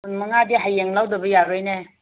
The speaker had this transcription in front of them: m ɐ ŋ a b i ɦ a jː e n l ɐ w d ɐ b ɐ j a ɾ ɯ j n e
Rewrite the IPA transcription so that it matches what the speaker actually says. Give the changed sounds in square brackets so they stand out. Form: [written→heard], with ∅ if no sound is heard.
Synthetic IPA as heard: m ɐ ŋ a [b→d] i ɦ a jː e [n→ŋ] l [ɐ→a] w d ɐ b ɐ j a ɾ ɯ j n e